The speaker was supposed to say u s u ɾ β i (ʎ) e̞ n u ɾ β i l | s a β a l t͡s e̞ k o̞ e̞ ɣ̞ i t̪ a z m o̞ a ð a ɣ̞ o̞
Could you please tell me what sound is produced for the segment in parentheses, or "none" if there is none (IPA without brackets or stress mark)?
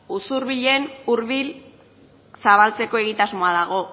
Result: ʎ